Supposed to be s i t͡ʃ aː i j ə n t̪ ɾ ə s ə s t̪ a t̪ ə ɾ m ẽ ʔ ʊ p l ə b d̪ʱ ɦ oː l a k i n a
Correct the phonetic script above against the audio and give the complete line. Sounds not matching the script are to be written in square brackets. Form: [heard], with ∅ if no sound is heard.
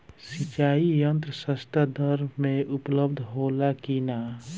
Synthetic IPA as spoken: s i t͡ʃ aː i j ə n t̪ ɾ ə s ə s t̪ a [d̪] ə ɾ m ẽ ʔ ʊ p l ə b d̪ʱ ɦ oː l a k i n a